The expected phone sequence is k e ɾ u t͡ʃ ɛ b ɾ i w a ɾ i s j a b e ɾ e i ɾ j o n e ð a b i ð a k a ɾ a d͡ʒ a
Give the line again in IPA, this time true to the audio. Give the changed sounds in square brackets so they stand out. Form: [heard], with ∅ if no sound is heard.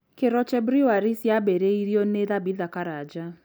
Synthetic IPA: k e ɾ [ɔ] t͡ʃ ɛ b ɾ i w a ɾ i s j a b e ɾ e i ɾ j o n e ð a b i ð a k a ɾ a d͡ʒ a